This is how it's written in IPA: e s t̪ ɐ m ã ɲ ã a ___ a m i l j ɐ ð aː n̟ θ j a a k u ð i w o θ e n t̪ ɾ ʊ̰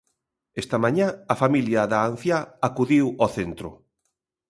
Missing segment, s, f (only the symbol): f